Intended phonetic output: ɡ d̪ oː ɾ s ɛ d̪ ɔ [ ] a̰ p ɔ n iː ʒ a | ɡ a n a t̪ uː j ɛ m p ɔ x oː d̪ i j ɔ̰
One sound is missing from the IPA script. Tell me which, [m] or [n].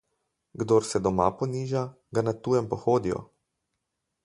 m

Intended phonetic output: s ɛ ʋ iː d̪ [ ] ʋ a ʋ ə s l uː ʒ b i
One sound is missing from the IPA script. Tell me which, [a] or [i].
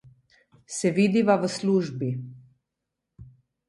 i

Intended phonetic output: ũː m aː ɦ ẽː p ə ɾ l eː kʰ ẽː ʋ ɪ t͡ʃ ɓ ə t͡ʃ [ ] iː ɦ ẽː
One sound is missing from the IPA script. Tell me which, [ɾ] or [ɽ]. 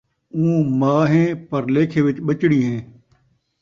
ɽ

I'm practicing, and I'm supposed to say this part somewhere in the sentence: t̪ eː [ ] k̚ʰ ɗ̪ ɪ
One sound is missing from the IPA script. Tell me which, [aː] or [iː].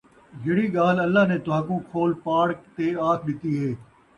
aː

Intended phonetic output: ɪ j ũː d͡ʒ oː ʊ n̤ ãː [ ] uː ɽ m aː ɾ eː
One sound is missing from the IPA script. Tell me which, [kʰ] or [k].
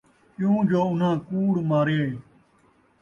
k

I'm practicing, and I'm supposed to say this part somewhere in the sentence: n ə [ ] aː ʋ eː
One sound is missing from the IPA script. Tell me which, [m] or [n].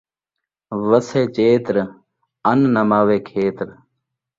m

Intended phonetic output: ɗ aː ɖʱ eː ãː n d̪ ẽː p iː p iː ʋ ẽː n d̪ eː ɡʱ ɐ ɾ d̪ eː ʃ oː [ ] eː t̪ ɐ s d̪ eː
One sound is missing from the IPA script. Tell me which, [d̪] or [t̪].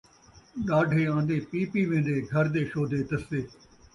d̪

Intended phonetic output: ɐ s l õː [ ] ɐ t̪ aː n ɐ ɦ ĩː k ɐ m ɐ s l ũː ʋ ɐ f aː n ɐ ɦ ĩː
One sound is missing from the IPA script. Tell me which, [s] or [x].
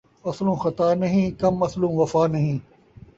x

